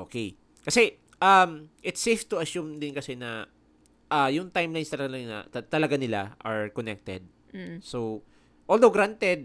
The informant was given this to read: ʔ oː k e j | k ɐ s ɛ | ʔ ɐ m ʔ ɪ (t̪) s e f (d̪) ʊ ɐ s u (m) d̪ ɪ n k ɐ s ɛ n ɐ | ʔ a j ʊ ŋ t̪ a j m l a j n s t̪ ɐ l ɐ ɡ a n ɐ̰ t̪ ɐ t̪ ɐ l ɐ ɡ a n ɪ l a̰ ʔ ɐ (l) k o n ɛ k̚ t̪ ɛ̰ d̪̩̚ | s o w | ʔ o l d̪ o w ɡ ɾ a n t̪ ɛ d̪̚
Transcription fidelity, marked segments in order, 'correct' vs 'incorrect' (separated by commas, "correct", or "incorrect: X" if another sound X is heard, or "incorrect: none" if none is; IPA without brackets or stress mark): correct, incorrect: t̪, correct, incorrect: ɹ